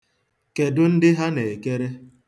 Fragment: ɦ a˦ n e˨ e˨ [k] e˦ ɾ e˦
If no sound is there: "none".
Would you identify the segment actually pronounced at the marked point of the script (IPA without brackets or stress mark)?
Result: k